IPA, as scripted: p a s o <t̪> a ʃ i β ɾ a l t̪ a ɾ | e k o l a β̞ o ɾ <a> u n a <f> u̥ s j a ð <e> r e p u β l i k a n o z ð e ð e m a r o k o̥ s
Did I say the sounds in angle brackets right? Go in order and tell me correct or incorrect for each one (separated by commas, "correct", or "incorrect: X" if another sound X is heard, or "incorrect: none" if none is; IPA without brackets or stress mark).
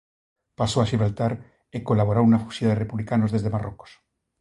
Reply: incorrect: none, correct, correct, correct